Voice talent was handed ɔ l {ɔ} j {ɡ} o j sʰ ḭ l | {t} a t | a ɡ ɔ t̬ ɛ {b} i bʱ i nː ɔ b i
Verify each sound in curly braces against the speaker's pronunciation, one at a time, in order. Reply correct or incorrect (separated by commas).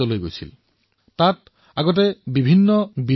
incorrect, correct, correct, correct